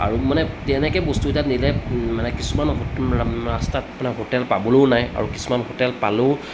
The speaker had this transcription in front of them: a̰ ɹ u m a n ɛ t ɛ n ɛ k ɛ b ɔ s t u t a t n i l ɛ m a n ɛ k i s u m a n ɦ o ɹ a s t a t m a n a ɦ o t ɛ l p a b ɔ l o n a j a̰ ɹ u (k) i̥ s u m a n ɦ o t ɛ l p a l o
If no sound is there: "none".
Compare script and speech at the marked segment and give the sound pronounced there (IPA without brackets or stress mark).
k